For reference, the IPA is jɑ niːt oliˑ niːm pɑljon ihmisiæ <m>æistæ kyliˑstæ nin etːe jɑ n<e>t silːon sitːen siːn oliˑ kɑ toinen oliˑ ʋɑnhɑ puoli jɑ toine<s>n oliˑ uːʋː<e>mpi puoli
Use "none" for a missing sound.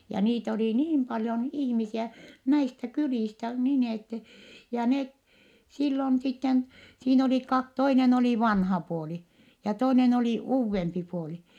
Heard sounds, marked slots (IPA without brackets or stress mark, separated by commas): n, e, none, e